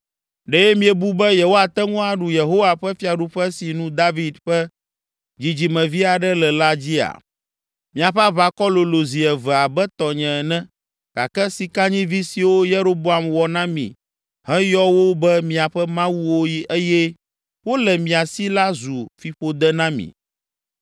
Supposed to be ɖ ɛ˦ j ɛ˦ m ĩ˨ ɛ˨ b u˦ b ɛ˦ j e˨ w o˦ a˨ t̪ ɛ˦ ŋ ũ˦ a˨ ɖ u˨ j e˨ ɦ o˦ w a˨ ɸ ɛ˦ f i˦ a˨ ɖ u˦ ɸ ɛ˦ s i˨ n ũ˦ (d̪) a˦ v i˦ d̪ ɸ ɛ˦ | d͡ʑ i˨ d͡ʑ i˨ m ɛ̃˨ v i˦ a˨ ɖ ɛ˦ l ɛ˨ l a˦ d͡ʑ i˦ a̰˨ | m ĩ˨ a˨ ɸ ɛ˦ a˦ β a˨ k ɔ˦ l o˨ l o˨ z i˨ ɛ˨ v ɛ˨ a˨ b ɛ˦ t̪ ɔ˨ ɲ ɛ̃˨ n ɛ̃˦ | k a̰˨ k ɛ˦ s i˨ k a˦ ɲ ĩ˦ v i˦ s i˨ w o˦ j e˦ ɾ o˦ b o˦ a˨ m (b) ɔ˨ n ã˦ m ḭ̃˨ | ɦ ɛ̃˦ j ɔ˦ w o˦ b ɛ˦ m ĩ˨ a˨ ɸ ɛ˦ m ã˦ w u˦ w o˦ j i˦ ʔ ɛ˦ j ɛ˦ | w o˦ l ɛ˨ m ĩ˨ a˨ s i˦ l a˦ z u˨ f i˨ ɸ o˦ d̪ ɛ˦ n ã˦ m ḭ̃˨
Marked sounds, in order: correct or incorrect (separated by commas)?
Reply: correct, incorrect